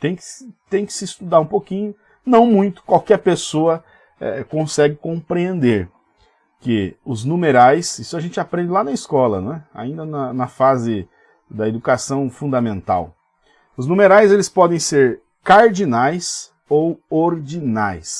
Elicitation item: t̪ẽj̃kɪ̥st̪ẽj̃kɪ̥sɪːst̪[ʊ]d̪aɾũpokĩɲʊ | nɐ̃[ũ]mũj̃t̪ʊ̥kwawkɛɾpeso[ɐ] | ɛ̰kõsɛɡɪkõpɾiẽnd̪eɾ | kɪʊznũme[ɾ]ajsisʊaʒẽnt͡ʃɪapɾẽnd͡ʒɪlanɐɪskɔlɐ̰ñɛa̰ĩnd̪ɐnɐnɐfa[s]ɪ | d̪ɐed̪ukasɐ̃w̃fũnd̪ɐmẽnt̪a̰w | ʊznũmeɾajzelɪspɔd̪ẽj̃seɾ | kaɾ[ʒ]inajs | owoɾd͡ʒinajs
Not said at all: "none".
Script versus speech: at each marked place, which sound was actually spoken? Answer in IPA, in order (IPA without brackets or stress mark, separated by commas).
u, w̃, ɐ, ɾ, z, d͡ʒ